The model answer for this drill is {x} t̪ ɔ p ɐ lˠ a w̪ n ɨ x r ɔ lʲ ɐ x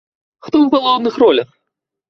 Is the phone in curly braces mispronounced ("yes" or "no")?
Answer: no